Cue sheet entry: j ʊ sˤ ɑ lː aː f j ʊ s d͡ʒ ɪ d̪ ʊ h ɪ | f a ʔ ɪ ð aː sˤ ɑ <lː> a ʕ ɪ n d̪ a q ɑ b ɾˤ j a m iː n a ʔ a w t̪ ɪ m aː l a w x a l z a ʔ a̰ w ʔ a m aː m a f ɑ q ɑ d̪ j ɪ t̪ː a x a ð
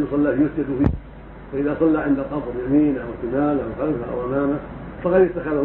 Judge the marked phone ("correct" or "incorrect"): correct